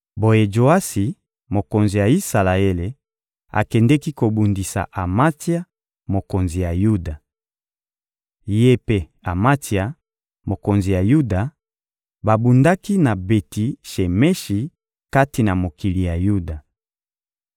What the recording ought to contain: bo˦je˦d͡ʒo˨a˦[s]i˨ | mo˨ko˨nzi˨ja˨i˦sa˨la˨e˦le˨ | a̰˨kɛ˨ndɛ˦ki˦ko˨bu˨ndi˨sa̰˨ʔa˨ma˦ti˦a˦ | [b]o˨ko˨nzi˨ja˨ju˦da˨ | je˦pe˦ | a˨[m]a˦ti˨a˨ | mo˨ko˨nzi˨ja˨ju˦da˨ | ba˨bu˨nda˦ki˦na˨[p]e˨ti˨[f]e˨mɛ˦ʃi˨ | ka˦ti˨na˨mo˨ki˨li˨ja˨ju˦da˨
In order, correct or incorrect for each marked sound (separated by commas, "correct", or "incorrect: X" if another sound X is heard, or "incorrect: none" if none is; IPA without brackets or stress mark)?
correct, incorrect: m, correct, incorrect: b, incorrect: ʃ